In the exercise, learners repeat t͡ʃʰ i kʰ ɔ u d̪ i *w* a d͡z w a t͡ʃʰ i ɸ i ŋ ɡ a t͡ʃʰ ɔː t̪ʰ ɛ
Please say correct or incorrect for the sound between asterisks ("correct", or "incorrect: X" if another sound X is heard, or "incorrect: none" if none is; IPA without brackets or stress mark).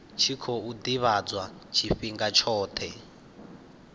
incorrect: β